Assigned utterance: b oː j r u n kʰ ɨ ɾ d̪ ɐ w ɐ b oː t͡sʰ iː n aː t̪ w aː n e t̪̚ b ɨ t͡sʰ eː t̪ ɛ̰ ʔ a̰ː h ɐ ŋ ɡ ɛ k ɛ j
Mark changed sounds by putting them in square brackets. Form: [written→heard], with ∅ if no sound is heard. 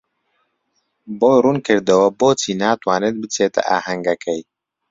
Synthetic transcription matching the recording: b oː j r u n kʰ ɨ ɾ d̪ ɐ w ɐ b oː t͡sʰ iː n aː t̪ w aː n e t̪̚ b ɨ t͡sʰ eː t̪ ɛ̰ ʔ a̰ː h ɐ ŋ ɡ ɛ k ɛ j

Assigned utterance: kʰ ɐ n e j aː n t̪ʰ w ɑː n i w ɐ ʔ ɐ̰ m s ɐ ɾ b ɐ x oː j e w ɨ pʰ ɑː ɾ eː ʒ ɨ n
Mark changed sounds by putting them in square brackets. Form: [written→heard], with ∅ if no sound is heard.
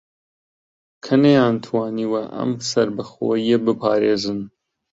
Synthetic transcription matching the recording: kʰ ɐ n e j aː n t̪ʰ w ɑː n i w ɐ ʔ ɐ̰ m s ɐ ɾ b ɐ x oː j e [w→b] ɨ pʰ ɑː ɾ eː [ʒ→z] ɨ n

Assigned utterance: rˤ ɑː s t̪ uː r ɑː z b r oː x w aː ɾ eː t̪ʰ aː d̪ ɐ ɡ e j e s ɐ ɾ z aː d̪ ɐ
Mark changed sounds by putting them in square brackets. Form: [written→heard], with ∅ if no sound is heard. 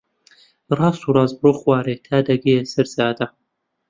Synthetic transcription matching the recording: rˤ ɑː s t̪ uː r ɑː z b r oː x w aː ɾ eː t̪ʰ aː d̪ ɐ ɡ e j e s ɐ ɾ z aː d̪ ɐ

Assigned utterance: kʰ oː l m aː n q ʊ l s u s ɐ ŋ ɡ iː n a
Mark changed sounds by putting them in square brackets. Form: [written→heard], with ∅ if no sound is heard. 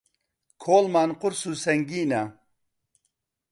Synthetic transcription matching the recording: kʰ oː l m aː n q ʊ [l→ɾ] s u s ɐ ŋ ɡ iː n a

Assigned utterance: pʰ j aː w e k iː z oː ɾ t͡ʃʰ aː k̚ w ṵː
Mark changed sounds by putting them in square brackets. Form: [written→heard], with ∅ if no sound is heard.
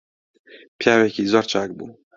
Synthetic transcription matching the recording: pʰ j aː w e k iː z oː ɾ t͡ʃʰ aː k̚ [w→b] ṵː

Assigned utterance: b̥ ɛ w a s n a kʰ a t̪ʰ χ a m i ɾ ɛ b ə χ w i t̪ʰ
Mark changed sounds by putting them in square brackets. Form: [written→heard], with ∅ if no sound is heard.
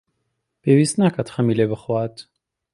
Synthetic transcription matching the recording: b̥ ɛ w [a→i] s n a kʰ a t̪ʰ χ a m i [ɾ→l] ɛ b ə χ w [i→a] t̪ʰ

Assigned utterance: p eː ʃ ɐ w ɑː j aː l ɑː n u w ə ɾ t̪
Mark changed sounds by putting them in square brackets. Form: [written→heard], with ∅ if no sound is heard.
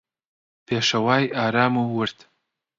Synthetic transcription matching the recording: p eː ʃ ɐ w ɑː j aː [l→ɾ] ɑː [n→m] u w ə ɾ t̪

